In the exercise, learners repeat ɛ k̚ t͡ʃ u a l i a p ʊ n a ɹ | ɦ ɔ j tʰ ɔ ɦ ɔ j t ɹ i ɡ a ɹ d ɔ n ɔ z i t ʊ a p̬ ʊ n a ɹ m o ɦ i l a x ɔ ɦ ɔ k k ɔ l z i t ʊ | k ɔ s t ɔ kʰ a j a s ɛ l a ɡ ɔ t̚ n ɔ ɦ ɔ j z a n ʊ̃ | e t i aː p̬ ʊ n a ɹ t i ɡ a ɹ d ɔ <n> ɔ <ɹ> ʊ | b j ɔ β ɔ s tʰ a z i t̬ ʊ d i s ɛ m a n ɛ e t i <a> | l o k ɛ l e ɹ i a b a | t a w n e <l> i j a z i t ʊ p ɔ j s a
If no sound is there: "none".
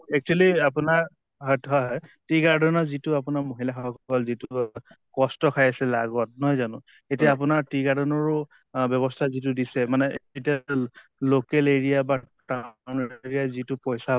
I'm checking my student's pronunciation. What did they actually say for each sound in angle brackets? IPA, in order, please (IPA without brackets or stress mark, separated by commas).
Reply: n, ɹ, a, ɹ